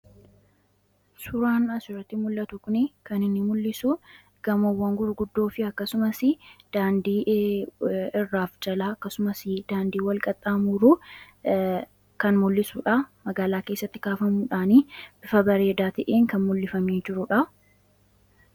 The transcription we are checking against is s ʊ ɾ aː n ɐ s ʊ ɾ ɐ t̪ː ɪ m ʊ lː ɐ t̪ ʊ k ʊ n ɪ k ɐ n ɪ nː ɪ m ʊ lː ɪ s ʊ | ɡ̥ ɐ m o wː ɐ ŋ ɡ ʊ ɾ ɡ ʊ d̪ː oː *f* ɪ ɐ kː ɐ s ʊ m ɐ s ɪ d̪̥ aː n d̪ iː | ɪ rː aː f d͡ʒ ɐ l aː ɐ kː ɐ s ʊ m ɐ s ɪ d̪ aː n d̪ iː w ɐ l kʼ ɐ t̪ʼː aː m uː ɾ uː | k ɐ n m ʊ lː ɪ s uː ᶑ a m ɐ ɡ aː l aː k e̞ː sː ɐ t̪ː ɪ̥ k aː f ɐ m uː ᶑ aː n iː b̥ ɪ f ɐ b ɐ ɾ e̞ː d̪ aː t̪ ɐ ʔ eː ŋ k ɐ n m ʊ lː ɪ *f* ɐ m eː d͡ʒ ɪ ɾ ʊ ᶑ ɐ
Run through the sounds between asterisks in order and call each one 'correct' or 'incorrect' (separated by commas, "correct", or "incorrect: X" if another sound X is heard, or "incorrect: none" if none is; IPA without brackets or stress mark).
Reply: correct, correct